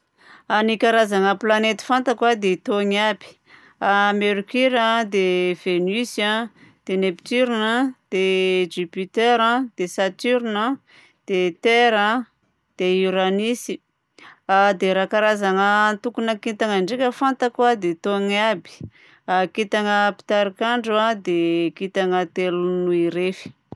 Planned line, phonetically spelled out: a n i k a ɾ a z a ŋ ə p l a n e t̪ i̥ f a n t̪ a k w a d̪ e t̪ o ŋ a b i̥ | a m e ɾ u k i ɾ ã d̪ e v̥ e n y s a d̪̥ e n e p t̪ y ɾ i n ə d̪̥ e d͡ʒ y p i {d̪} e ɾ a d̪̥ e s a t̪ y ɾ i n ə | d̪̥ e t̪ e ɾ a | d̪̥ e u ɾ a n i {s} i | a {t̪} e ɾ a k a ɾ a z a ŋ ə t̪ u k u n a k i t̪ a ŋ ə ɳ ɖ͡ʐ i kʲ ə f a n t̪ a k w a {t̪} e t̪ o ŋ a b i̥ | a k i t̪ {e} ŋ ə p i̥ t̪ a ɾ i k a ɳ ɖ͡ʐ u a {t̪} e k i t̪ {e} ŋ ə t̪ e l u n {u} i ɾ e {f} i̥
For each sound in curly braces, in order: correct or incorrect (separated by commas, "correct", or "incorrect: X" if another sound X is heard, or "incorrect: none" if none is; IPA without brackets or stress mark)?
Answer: incorrect: t̪, correct, incorrect: d̪, incorrect: d̪, incorrect: a, incorrect: d̪, incorrect: a, correct, correct